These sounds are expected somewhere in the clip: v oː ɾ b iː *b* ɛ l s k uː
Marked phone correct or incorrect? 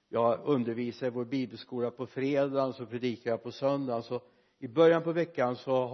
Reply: correct